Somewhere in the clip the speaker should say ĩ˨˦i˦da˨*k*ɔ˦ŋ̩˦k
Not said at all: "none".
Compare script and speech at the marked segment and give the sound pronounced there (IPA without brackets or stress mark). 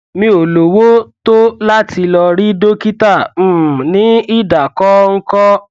k